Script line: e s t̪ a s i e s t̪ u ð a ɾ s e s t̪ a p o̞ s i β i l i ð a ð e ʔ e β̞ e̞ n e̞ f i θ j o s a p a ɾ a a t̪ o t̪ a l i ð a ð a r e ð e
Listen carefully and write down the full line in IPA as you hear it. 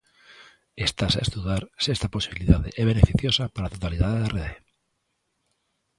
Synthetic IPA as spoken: e s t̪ a s a e s t̪ u ð a ɾ s e s t̪ a p o̞ s i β i l i ð a ð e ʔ e β̞ e̞ n e̞ f i θ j o s a p a ɾ a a t̪ o t̪ a l i ð a ð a r e ð e

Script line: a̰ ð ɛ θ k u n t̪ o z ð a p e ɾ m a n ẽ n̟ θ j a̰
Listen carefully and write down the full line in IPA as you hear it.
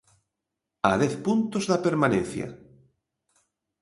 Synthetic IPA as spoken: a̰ ð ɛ θ p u n t̪ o z ð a p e ɾ m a n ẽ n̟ θ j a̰

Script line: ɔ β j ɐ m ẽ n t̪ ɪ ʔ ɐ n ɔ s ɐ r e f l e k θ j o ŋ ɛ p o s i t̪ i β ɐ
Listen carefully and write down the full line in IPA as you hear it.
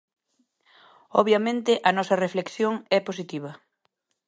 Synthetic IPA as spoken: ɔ β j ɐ m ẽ n t̪ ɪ ʔ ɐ n ɔ s ɐ r e f l e k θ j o ŋ ɛ p o s i t̪ i β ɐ

